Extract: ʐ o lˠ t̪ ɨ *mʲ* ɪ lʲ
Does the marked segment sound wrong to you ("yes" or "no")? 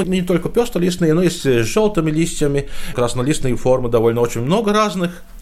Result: no